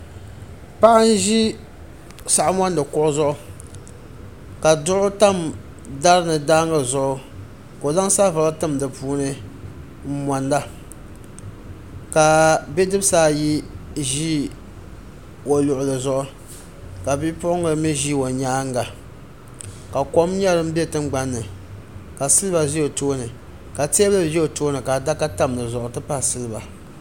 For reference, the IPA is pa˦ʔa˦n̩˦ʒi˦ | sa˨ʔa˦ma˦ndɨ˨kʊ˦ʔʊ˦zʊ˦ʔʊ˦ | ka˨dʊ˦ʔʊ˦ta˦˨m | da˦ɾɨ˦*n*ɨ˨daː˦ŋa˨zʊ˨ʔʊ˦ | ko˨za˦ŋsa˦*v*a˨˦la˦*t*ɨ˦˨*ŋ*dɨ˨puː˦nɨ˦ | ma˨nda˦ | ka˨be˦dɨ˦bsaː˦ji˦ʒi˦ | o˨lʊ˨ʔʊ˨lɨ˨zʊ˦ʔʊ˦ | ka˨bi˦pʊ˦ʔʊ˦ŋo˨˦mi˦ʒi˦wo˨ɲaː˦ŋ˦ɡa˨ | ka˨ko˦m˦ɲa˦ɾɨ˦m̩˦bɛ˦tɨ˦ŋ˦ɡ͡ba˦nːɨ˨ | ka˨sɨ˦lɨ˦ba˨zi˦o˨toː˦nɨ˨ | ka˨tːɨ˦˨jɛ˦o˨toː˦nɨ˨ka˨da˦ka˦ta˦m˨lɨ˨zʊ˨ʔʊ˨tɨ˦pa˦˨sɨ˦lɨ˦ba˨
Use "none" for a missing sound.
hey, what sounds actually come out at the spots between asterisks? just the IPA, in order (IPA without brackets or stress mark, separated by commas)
n, v, t, m